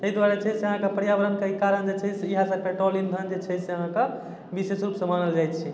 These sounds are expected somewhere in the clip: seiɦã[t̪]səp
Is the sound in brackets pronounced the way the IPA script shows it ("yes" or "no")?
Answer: no